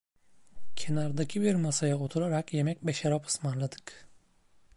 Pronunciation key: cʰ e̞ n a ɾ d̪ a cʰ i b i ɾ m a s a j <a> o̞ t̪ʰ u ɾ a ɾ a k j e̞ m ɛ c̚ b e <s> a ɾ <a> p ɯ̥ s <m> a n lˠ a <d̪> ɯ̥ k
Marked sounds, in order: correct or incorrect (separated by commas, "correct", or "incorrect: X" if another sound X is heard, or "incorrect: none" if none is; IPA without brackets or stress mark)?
correct, incorrect: ʃ, correct, correct, correct